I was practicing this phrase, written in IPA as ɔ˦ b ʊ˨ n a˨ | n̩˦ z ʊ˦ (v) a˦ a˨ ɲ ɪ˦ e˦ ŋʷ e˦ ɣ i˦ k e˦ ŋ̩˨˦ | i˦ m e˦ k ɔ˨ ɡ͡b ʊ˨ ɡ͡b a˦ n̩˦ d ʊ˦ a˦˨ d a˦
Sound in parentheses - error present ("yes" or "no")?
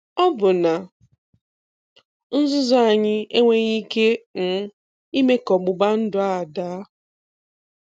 yes